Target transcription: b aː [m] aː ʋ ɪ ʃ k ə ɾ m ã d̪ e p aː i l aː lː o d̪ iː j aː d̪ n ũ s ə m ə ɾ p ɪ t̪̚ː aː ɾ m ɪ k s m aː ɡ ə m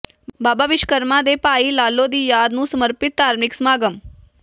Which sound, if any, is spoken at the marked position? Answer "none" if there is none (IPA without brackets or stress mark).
b